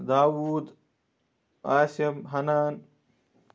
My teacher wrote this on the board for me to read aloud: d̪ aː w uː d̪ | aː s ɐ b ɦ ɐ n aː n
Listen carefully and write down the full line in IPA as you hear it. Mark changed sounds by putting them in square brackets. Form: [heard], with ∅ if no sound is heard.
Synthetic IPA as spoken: d̪ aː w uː d̪ | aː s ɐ [m] ɦ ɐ n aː n